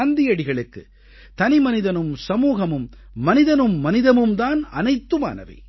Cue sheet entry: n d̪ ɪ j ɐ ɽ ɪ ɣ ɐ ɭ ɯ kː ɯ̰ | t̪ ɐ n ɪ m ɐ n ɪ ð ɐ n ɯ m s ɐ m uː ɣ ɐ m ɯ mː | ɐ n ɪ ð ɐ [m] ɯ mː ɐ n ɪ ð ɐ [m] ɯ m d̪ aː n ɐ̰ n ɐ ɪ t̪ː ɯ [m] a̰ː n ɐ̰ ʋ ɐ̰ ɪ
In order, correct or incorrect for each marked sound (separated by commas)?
incorrect, correct, correct